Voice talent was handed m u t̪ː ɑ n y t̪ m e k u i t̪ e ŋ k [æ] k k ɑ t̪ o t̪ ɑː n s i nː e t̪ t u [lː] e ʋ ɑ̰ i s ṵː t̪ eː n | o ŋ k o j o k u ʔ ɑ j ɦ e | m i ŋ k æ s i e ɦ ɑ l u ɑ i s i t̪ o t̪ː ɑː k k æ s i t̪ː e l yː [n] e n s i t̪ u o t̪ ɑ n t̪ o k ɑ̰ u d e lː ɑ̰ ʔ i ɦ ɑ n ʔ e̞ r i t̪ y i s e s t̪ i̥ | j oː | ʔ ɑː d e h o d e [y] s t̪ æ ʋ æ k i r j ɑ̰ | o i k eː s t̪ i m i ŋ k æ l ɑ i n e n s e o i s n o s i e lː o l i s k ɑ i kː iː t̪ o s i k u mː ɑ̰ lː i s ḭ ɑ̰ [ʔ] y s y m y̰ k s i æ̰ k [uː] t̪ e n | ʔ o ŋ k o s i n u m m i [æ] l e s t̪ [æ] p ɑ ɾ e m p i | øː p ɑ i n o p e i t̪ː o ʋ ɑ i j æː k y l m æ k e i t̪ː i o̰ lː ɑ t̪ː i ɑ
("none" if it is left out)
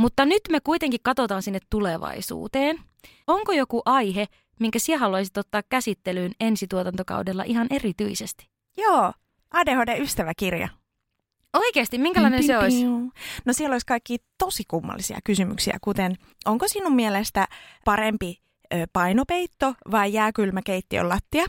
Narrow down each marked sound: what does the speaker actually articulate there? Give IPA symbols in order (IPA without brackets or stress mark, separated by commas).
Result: i, l, n, y, k, u, e, æ